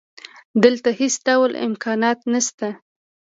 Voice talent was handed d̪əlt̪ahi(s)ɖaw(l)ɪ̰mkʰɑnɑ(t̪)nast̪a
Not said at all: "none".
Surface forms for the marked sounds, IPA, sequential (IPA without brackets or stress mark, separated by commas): s, l, t̪